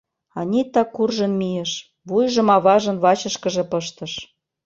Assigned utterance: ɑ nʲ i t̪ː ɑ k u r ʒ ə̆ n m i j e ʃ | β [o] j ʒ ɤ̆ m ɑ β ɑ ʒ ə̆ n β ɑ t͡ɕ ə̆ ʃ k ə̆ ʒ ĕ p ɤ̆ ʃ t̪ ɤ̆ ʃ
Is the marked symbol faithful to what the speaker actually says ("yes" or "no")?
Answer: no